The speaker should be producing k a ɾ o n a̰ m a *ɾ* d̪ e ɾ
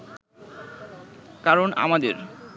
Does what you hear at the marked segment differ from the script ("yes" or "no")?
yes